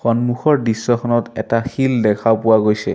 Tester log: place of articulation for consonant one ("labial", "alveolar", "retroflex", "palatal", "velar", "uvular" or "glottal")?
velar